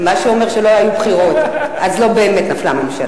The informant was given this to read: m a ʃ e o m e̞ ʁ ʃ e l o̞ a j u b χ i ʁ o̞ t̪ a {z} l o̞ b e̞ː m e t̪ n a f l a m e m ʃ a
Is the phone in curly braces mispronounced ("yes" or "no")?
no